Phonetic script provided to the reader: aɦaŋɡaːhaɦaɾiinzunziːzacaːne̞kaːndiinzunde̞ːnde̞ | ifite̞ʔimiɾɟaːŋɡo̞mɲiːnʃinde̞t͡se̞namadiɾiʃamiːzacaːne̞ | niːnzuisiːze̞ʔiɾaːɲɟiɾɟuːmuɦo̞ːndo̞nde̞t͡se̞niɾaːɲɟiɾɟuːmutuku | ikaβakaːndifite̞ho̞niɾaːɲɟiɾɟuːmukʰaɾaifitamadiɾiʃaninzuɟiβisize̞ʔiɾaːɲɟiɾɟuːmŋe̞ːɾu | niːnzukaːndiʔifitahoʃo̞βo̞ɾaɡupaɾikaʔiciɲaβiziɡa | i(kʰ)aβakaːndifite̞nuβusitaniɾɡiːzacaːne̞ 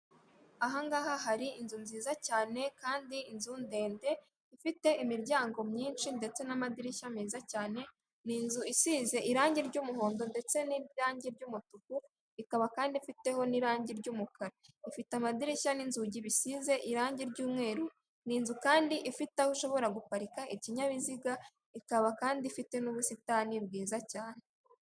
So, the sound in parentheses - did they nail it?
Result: no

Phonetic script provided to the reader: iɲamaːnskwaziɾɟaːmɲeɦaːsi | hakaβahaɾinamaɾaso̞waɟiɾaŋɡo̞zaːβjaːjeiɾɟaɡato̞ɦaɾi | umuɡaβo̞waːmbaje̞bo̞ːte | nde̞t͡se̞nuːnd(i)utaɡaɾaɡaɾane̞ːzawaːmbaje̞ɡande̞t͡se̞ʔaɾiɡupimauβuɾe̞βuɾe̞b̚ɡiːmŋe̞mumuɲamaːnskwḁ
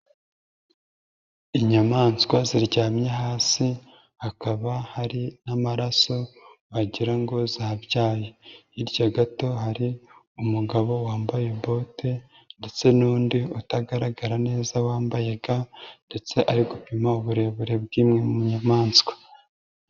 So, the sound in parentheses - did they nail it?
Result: yes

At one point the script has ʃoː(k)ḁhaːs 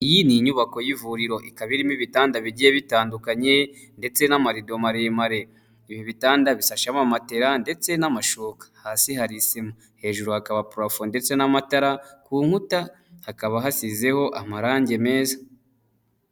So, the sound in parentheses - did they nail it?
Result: yes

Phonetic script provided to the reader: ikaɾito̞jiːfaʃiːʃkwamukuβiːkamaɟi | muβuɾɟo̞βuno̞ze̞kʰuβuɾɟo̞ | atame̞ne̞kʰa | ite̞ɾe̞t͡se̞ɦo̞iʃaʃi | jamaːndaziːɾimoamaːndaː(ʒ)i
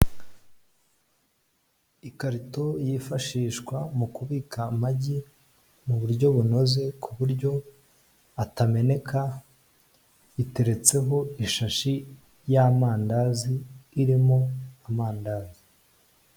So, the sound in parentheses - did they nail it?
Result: no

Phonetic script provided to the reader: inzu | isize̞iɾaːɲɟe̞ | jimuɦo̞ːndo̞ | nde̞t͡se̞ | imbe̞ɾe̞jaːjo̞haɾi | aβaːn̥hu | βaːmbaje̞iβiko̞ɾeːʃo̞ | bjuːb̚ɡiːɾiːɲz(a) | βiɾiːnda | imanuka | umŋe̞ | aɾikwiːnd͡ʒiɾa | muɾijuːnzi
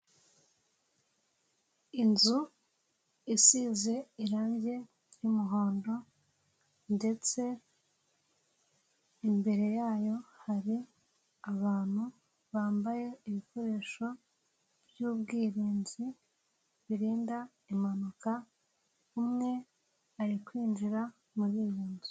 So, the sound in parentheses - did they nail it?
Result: no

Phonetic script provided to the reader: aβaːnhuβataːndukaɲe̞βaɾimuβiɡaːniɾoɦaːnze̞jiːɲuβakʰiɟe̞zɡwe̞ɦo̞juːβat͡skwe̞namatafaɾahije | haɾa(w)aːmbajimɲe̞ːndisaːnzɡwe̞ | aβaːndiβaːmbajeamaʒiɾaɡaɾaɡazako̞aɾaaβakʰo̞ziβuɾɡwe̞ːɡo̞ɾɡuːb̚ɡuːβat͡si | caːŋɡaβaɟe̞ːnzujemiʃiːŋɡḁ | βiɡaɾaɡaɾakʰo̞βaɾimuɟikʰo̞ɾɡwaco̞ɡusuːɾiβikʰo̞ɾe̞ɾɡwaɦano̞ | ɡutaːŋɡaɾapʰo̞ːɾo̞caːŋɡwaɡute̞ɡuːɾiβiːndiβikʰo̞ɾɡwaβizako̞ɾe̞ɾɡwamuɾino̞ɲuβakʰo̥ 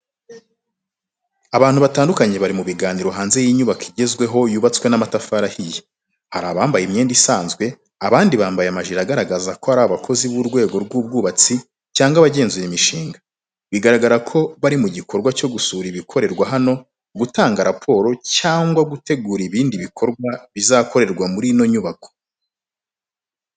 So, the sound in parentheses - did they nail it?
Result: no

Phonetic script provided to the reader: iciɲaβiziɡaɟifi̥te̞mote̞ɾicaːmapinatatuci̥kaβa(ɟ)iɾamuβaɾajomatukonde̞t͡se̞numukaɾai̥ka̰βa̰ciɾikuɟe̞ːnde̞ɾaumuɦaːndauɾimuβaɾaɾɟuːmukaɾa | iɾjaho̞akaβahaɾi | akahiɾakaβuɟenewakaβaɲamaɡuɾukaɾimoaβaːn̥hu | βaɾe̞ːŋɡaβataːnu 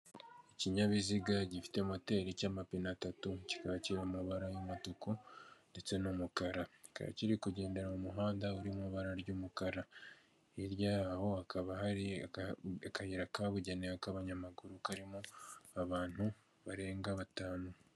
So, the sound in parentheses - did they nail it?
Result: no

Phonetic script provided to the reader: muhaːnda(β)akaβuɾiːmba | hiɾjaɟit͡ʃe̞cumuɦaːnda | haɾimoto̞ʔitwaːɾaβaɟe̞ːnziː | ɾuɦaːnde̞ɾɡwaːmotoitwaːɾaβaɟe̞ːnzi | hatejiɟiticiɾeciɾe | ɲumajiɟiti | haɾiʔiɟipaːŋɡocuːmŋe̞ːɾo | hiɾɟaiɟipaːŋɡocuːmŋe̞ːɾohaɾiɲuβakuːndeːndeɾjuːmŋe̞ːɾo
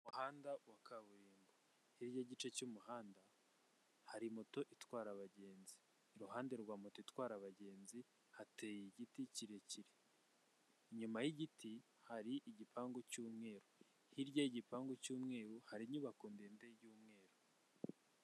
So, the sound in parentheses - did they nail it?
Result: no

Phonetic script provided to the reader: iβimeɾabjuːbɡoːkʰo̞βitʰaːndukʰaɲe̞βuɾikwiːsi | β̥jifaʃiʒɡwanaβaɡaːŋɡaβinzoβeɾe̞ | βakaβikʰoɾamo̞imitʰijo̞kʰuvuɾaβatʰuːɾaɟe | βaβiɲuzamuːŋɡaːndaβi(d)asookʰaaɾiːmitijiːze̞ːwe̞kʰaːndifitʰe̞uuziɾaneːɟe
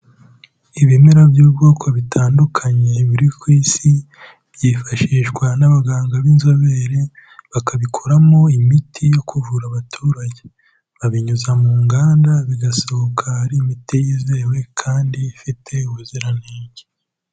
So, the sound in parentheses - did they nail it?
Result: no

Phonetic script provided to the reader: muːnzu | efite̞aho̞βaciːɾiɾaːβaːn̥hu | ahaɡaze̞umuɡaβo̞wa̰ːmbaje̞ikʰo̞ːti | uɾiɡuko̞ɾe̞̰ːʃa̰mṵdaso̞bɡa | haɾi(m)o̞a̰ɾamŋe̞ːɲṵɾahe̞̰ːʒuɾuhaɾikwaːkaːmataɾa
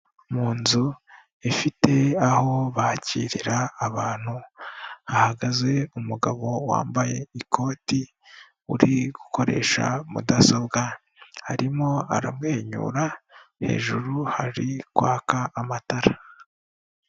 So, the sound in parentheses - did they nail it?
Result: yes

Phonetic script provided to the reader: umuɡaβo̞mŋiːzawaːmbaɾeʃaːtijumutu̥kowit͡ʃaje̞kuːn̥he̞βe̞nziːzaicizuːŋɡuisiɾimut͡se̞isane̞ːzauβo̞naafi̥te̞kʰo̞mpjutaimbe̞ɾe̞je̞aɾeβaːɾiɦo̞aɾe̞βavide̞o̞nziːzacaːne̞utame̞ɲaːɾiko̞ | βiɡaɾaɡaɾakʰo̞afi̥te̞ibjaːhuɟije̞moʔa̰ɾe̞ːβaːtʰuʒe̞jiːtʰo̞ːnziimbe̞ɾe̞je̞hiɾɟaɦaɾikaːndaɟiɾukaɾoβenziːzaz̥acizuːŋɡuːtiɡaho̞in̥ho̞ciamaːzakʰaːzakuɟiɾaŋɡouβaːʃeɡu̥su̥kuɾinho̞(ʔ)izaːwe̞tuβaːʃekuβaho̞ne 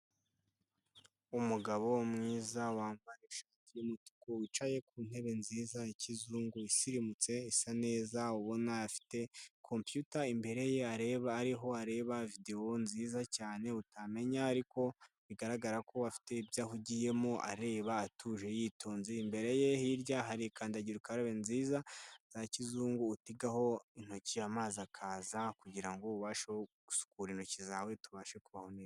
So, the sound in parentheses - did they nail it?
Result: no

